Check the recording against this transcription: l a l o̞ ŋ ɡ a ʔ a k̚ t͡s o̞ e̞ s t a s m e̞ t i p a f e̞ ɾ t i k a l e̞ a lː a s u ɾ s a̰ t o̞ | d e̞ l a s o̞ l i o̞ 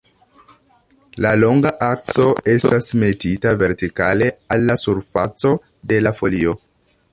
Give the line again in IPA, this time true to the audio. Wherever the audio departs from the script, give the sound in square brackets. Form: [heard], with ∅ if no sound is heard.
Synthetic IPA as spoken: l a l o̞ ŋ ɡ a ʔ a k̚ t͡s o̞ e̞ s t a s m e̞ t i [t] a [v] e̞ ɾ t i k a l e̞ a lː a s u ɾ [f] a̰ [t͡s] o̞ | d e̞ l a [f] o̞ l i o̞